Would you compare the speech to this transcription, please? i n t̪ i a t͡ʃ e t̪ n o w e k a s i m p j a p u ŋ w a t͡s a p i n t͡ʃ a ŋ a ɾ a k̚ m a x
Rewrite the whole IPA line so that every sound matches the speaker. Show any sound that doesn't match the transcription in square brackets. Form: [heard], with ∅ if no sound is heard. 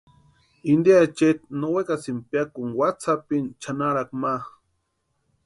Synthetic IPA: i n [d̪] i a t͡ʃ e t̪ n o w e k a s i m p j a [k] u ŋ w a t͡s a p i n t͡ʃ a [n] a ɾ a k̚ m a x